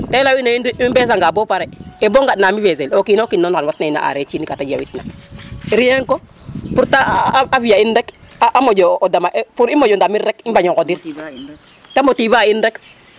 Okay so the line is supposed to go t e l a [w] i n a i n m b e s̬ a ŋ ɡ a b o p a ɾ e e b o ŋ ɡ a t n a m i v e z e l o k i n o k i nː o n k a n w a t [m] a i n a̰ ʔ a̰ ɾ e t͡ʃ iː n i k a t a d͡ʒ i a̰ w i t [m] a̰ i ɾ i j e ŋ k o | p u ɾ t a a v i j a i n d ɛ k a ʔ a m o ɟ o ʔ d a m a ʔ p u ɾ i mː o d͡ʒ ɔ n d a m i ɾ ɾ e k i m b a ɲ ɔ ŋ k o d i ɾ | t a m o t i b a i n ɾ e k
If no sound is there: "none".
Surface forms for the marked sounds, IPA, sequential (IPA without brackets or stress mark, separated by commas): w, n, n